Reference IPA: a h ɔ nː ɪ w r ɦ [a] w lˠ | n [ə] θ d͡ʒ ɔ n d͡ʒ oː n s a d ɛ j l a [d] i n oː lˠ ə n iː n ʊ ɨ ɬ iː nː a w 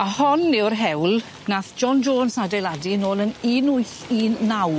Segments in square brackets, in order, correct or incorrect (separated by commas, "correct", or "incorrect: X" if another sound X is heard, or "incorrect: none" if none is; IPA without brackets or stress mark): incorrect: ɛ, incorrect: a, correct